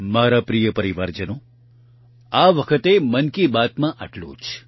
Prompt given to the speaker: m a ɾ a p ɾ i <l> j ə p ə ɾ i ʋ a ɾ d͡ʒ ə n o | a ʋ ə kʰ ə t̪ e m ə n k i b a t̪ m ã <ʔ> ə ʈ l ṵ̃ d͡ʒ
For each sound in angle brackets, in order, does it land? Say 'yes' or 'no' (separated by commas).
no, yes